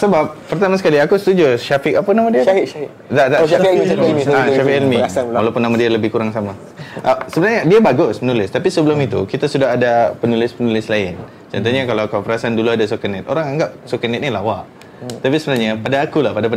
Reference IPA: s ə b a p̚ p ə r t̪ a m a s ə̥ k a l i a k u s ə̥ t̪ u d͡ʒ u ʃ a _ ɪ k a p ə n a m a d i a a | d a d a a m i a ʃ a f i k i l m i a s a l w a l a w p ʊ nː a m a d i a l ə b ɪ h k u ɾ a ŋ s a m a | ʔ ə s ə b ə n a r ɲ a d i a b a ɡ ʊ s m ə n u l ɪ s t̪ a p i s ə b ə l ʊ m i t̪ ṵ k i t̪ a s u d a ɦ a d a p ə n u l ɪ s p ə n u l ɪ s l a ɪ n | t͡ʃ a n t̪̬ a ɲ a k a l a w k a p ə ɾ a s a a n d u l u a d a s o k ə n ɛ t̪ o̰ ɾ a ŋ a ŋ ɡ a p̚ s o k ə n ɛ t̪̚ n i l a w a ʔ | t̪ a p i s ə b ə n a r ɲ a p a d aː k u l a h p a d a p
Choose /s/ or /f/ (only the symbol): f